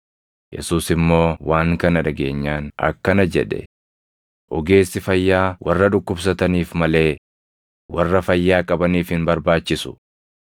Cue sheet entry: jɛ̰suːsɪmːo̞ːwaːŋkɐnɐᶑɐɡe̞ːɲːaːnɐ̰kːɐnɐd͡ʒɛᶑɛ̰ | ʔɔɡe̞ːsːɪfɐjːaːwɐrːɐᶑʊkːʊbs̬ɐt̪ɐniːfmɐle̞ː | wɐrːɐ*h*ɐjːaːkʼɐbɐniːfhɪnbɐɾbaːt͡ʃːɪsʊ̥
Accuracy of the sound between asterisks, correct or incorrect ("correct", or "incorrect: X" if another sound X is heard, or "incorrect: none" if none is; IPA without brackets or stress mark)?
incorrect: f